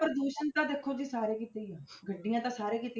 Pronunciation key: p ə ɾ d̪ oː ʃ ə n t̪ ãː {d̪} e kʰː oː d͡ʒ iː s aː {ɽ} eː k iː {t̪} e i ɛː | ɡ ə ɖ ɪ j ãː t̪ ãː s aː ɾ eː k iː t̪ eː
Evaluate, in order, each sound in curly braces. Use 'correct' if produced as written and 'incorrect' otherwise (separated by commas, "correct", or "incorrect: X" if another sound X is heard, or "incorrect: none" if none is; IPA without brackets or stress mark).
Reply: correct, incorrect: ɾ, correct